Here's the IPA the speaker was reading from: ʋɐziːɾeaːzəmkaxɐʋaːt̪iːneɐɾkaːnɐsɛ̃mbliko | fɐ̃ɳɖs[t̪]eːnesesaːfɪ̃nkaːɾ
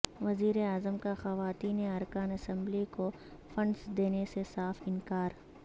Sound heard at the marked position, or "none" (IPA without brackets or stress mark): d̪